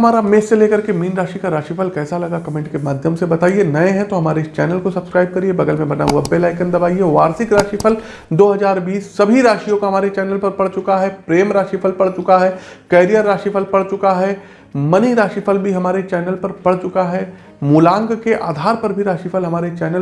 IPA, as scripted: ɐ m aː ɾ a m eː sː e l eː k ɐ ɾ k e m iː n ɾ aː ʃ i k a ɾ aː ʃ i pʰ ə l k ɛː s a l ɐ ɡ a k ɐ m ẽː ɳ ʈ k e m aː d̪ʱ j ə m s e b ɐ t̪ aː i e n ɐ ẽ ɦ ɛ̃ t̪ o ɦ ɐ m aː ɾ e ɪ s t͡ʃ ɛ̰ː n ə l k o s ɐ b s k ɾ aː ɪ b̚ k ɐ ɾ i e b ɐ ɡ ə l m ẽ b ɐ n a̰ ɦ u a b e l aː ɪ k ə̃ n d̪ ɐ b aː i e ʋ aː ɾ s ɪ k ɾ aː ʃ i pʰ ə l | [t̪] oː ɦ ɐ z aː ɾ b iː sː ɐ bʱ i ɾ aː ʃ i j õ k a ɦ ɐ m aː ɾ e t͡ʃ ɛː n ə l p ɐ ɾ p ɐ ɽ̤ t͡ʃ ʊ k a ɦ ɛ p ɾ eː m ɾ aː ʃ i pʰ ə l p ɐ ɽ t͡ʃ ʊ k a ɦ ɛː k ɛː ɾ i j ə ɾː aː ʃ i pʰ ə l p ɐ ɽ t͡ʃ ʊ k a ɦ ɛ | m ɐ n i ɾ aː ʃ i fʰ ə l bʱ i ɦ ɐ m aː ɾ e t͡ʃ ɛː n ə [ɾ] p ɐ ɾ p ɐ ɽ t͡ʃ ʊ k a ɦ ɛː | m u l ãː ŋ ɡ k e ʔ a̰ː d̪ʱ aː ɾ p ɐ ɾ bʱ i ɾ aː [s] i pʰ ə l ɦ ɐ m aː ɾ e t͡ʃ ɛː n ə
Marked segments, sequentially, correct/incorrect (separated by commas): incorrect, incorrect, incorrect